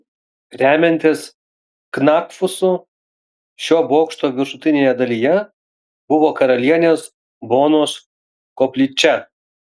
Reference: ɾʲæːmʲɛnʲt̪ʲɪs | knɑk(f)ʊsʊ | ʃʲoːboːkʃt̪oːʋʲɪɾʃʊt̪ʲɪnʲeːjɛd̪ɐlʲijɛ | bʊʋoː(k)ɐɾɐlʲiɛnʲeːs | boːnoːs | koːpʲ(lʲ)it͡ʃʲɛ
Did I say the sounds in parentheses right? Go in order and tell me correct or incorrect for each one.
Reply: correct, correct, correct

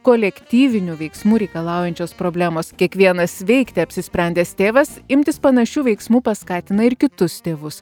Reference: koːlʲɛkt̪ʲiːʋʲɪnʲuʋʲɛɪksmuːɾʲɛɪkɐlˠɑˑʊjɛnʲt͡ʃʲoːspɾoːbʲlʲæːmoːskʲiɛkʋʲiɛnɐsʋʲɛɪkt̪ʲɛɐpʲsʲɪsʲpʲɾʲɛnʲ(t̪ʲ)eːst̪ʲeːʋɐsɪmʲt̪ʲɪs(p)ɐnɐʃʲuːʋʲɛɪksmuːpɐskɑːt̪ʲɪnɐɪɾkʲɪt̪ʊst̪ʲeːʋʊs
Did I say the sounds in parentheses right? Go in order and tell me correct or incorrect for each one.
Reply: incorrect: d̪ʲ, correct

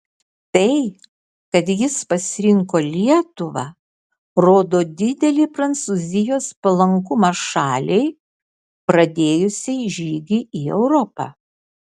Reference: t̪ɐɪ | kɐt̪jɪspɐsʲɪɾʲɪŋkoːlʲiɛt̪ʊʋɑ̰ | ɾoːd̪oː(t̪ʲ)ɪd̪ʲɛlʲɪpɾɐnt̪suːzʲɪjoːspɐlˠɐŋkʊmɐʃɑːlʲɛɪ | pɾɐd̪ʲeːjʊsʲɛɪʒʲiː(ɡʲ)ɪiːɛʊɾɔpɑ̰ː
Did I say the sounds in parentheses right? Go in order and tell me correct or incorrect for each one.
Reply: incorrect: d̪ʲ, correct

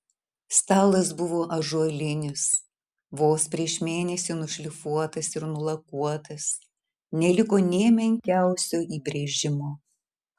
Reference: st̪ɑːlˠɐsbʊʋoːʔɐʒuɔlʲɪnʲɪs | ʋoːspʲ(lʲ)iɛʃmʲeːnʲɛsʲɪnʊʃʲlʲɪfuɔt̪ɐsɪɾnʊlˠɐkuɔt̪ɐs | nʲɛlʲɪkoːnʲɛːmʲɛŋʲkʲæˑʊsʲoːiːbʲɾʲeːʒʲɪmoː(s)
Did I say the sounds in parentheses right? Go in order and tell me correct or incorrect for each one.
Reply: incorrect: ɾʲ, incorrect: none

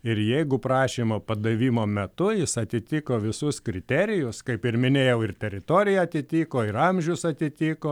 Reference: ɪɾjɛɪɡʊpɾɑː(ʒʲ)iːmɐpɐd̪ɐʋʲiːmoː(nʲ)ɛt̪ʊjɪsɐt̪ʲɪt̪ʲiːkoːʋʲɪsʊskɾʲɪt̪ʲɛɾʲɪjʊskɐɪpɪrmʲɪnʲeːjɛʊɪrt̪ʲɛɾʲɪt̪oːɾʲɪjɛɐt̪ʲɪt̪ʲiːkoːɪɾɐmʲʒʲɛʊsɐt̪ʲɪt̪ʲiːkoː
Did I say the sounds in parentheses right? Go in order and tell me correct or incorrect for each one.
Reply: incorrect: ʃʲ, incorrect: mʲ

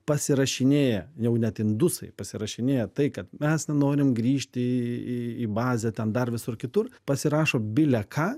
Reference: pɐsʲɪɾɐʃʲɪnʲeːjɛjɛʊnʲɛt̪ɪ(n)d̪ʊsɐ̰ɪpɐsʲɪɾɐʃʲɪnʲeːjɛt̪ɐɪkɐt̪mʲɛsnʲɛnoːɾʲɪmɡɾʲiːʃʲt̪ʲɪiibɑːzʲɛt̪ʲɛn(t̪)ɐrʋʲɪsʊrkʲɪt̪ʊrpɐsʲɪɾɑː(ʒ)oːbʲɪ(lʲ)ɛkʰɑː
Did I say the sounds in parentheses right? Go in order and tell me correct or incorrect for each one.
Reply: correct, incorrect: d̪, incorrect: ʃ, correct

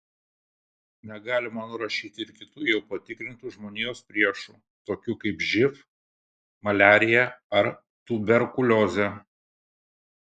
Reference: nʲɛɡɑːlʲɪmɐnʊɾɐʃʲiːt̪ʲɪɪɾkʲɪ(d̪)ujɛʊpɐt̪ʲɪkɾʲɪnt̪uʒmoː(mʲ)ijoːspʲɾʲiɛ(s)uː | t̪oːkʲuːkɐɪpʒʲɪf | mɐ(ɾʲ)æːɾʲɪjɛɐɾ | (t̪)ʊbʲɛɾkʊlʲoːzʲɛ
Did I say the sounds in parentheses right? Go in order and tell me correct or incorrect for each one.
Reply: incorrect: t̪, incorrect: nʲ, incorrect: ʃ, incorrect: lʲ, correct

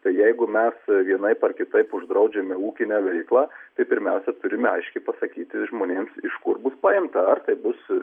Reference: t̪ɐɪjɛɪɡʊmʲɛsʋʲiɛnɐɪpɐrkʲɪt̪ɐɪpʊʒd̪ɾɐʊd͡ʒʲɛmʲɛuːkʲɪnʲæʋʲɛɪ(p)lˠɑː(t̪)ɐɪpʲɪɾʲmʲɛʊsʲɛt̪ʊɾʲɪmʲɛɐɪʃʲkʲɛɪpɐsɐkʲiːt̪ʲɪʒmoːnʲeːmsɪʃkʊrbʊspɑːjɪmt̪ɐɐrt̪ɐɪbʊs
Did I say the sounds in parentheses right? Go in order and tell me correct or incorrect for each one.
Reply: incorrect: k, correct

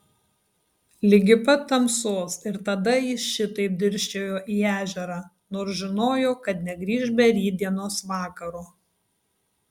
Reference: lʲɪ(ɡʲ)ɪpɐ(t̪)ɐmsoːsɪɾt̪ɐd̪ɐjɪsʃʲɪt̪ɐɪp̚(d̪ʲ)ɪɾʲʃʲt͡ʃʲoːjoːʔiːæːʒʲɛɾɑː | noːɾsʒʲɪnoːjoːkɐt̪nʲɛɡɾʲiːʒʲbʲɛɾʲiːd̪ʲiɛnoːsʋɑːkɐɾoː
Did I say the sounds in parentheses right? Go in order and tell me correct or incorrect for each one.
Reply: correct, correct, correct

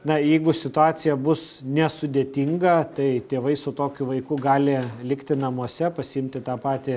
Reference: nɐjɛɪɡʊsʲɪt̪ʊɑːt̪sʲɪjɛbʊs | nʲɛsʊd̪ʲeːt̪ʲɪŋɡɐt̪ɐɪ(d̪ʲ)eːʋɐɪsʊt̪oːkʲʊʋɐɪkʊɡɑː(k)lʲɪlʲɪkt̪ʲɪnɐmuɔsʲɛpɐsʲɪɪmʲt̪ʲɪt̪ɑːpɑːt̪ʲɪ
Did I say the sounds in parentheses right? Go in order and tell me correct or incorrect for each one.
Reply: incorrect: t̪ʲ, incorrect: none

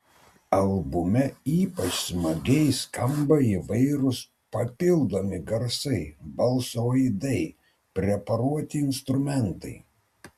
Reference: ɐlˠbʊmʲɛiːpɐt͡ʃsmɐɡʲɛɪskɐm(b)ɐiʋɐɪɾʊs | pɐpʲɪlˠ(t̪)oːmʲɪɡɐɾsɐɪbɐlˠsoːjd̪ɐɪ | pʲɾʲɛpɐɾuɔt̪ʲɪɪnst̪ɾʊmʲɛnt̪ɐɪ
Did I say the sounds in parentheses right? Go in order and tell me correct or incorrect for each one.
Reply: correct, incorrect: d̪

